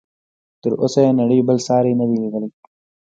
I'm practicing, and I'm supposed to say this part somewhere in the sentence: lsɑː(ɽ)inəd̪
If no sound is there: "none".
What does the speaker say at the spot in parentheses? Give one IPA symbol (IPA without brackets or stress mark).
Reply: ɾ